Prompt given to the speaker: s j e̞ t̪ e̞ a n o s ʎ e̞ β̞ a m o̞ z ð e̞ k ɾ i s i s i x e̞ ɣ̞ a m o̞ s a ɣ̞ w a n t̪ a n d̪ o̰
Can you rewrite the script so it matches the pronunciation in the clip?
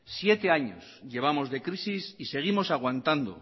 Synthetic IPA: s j e̞ t̪ e̞ a ɲ o s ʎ e̞ β̞ a m o̞ z ð e̞ k ɾ i s i s i s e̞ ɣ̞ i m o̞ s a ɣ̞ w a n t̪ a n d̪ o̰